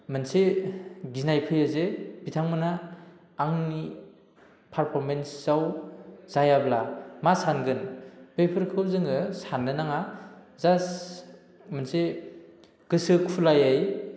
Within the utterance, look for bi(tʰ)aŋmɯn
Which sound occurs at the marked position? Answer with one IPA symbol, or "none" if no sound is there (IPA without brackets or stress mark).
tʰ